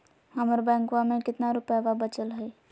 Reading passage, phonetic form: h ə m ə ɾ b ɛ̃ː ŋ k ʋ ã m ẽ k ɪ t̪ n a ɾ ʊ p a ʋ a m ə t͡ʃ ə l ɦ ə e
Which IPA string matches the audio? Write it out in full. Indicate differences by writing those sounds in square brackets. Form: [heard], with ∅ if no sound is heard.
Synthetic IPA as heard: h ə m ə ɾ b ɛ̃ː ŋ k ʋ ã m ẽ k ɪ t̪ n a ɾ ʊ p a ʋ a [b] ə t͡ʃ ə l ɦ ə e